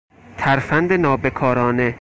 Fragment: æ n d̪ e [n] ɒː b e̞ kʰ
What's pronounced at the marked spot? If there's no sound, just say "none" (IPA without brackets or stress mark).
n